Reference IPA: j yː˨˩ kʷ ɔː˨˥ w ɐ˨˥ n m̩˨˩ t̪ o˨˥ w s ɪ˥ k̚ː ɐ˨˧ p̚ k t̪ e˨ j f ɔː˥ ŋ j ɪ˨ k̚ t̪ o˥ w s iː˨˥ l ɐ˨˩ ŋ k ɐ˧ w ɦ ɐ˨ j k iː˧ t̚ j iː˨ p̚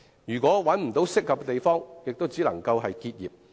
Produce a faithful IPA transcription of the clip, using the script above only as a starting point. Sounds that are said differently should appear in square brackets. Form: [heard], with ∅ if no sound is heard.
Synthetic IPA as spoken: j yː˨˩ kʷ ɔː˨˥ w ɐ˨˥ n m̩˨˩ t̪ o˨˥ w s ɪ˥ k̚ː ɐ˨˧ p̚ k t̪ e˨ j f ɔː˥ ŋ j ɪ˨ k̚ t̪ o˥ w [t͡s] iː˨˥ l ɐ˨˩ ŋ k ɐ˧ w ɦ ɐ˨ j k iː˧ t̚ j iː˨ p̚